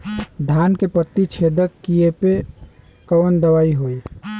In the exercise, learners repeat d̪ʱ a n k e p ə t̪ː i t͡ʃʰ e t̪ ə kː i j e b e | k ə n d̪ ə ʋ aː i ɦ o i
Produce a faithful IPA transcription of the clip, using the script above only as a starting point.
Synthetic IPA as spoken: d̪ʱ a n k e p ə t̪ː i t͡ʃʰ e d̪ ə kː i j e p e | k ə n d̪ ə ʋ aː i ɦ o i